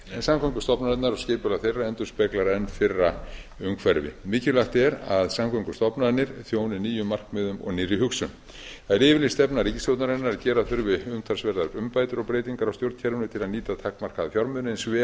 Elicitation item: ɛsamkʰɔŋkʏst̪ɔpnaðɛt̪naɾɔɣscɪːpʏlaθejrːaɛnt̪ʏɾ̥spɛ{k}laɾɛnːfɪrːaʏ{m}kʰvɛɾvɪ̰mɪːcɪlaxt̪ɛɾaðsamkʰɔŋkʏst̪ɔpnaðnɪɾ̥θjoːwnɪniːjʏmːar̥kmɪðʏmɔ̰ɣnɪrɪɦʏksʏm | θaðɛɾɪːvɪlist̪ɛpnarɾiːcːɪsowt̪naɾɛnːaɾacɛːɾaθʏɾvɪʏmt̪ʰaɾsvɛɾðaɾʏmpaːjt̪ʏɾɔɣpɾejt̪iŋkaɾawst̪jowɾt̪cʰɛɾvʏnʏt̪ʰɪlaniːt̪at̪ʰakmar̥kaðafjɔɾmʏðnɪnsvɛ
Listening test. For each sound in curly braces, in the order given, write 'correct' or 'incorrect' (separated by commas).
correct, incorrect